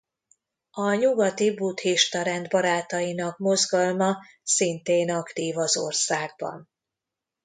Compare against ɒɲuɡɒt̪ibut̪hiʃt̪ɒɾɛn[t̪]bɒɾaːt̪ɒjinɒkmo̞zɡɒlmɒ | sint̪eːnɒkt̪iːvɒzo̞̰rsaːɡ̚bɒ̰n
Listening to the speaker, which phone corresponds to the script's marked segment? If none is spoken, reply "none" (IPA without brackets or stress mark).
d̪